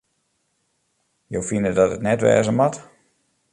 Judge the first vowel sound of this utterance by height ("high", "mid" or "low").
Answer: mid